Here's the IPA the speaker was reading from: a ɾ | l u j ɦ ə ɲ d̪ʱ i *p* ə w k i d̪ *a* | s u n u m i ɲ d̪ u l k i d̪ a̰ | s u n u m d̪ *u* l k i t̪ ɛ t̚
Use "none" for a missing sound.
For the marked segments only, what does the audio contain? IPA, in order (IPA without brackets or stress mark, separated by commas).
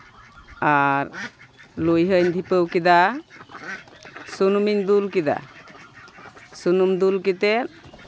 p, a, u